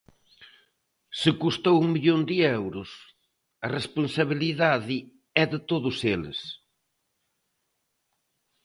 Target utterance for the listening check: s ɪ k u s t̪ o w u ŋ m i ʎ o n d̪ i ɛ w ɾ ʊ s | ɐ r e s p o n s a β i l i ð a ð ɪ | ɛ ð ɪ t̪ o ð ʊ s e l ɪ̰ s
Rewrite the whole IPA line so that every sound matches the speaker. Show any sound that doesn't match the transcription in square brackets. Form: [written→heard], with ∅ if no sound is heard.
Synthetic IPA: s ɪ k u s t̪ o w u ŋ m i ʎ o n d̪ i ɛ w ɾ ʊ s | ɐ r e s p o n s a β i l i ð a ð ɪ | ɛ ð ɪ t̪ o ð ʊ s e l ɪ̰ s